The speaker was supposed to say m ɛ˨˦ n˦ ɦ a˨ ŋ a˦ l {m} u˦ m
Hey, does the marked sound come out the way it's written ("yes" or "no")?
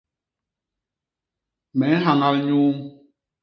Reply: no